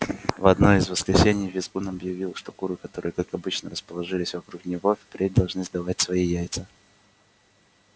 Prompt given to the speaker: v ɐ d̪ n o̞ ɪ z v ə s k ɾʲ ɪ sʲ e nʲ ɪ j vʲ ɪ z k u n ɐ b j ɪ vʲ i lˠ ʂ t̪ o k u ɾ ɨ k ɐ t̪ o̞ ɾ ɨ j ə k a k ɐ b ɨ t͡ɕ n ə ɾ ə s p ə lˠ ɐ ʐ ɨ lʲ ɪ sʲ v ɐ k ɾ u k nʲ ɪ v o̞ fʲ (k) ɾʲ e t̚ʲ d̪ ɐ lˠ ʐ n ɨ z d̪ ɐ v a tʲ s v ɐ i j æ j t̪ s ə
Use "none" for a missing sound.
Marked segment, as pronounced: p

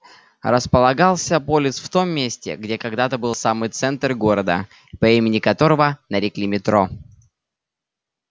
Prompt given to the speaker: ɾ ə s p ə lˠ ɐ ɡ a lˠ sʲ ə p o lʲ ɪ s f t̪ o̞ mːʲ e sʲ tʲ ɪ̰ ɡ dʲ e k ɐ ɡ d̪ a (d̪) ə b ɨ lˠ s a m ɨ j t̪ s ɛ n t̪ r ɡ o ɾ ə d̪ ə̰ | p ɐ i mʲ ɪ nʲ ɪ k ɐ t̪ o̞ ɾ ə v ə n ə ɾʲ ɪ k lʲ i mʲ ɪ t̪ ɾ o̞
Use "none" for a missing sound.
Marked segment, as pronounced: t̪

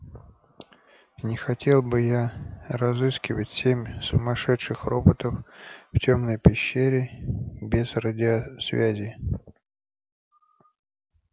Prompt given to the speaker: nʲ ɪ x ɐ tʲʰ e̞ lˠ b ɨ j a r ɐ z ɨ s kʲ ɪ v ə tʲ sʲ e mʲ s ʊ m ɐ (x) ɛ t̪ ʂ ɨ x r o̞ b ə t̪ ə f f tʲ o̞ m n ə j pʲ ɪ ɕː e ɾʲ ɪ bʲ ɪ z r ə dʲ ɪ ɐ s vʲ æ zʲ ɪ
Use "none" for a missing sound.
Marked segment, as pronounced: ʂ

